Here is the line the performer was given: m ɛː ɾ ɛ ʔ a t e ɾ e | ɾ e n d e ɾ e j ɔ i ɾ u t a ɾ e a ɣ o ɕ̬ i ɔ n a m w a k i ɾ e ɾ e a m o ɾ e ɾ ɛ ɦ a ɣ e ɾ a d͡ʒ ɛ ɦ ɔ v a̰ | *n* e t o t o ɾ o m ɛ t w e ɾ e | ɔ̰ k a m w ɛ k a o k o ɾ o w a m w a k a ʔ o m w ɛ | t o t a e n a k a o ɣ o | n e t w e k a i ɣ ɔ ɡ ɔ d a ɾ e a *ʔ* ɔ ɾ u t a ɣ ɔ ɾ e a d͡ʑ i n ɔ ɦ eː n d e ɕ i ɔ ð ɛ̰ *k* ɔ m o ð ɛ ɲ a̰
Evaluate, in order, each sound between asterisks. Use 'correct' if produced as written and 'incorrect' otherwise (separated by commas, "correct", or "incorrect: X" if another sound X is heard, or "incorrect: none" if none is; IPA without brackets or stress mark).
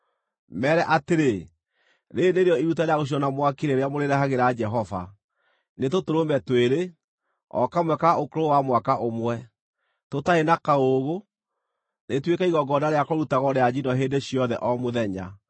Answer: correct, incorrect: k, incorrect: ʔ